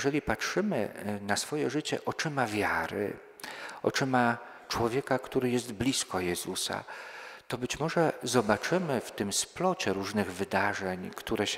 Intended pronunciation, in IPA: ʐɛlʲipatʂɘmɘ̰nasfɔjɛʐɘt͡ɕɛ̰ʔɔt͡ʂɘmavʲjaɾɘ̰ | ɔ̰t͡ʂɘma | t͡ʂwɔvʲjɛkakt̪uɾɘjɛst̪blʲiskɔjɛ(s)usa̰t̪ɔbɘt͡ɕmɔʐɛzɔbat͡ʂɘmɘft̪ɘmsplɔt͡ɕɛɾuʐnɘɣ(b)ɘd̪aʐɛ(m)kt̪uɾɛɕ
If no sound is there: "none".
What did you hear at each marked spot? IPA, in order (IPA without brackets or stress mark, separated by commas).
z, v, ɲ